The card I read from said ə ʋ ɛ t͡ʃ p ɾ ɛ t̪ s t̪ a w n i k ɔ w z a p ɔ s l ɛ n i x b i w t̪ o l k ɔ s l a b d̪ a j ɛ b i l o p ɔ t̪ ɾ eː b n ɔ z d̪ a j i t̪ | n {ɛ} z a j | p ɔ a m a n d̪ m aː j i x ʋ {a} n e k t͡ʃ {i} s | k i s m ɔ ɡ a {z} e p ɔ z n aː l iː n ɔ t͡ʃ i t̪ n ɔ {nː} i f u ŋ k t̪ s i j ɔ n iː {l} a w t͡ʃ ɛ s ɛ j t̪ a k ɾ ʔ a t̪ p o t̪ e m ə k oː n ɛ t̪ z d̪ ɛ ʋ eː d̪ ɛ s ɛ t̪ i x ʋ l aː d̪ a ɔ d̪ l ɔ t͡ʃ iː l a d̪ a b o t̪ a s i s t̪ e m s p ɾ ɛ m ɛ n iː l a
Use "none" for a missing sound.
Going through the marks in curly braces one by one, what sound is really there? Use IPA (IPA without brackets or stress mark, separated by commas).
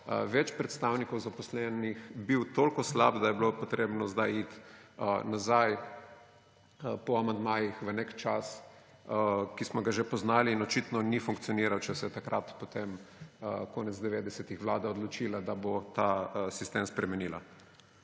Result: a, ə, a, ʒ, n, ɾ